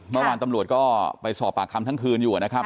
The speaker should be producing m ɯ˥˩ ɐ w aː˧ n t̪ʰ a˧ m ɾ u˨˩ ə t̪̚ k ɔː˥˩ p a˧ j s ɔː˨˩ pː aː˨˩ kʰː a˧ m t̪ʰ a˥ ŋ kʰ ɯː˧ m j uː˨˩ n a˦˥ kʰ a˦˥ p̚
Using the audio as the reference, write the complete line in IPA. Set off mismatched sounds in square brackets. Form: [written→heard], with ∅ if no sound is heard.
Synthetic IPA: m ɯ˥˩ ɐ w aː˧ n [t̪ʰ→t̪] a˧ m ɾ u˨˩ ə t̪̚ k ɔː˥˩ p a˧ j s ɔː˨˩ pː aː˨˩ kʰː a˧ m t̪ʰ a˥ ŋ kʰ ɯː˧ [m→n] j uː˨˩ n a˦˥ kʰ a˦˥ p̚